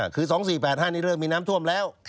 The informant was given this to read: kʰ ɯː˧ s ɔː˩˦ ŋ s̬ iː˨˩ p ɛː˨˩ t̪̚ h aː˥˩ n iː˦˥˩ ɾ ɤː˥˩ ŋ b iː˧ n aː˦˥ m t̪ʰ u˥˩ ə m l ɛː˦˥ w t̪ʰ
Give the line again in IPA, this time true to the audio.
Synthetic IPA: kʰ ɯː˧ s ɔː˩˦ ŋ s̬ iː˨˩ p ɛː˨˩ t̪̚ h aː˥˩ n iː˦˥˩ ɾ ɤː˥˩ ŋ m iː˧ n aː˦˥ m t̪ʰ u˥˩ ə m l ɛː˦˥ w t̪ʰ